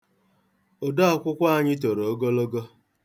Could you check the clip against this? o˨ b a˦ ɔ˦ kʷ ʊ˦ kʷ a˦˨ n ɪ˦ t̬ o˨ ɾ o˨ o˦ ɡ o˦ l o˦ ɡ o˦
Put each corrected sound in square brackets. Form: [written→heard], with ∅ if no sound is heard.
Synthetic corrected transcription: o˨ [b→d] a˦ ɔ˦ kʷ ʊ˦ kʷ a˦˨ [n→ɲ] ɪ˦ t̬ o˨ ɾ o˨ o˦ ɡ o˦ l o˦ ɡ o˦